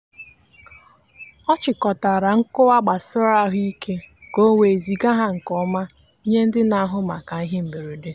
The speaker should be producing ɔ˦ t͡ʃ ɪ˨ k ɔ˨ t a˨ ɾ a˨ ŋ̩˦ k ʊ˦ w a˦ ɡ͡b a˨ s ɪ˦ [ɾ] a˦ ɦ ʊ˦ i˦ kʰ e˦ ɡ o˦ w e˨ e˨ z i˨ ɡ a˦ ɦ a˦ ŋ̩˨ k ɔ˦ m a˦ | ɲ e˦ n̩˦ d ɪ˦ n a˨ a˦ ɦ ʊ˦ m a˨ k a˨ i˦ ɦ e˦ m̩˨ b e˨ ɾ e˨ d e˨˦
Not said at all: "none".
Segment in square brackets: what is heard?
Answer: ɾ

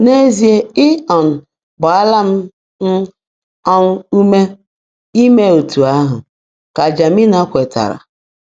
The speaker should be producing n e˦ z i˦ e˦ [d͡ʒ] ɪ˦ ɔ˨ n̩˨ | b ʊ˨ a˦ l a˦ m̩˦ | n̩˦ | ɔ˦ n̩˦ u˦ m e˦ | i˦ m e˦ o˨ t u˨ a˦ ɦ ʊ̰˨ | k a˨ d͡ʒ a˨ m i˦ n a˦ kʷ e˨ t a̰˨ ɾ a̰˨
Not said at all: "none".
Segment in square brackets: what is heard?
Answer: none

